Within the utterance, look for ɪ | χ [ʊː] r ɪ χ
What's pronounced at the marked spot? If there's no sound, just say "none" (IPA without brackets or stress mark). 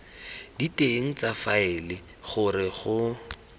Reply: ʊ